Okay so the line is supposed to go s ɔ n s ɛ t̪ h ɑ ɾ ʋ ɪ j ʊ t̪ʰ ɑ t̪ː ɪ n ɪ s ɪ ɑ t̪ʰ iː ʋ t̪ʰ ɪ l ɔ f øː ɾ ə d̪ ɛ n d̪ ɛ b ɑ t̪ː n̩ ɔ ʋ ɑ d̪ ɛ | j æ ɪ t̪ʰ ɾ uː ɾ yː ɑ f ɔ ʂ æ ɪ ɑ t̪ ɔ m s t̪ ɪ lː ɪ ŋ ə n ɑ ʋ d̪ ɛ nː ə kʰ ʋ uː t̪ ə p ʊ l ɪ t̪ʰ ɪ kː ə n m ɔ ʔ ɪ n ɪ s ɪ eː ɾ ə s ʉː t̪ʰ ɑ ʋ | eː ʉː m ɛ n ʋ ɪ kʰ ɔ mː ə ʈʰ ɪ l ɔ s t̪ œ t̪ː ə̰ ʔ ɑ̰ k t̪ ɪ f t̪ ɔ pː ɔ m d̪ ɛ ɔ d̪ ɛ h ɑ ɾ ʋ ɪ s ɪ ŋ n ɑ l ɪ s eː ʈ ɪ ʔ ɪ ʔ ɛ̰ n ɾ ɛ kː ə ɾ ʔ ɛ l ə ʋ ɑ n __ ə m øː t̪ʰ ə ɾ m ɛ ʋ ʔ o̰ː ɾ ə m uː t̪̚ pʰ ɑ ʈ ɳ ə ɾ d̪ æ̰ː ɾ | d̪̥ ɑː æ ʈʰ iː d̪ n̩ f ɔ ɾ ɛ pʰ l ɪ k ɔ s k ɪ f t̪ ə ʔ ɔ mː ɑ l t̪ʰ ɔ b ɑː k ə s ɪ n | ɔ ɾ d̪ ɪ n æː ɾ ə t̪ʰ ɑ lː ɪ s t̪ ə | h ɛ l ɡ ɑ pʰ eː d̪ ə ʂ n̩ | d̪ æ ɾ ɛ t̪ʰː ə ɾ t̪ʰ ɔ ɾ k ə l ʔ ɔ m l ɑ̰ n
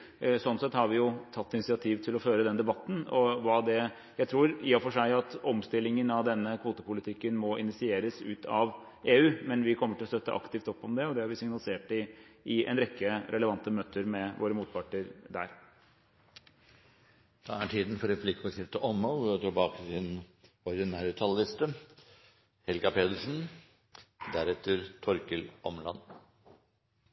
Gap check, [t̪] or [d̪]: t̪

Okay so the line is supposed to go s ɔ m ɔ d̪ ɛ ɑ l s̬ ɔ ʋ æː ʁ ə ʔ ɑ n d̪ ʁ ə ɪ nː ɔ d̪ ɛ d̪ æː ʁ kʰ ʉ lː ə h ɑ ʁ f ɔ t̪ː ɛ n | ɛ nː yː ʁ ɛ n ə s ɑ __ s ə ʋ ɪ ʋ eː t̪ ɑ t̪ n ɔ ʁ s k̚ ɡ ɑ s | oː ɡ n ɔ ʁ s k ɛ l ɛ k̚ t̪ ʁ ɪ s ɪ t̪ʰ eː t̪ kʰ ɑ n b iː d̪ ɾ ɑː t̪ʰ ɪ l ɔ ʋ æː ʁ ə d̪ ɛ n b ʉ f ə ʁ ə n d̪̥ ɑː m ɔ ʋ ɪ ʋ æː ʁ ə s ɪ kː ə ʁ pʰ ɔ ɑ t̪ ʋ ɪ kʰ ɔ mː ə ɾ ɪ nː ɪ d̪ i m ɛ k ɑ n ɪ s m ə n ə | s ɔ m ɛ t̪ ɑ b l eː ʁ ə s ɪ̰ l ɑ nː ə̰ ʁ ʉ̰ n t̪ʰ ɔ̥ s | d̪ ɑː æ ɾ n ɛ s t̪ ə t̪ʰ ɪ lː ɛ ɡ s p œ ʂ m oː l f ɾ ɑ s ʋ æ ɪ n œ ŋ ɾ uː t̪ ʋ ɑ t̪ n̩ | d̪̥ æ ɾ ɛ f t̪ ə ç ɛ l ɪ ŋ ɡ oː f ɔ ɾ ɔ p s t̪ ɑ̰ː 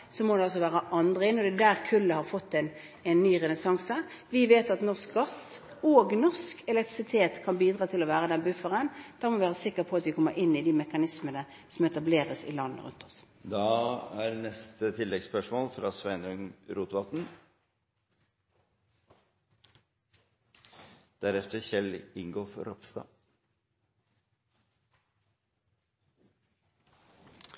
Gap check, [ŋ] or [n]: ŋ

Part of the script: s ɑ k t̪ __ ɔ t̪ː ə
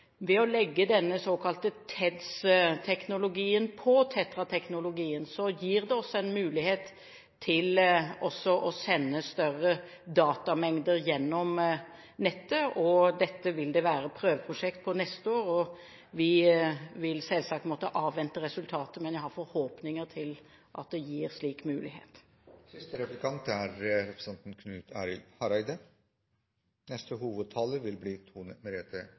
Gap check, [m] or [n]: m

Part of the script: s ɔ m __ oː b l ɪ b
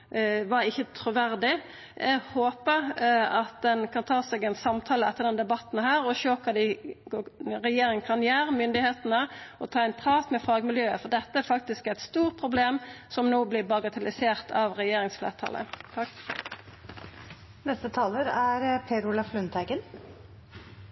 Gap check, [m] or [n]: n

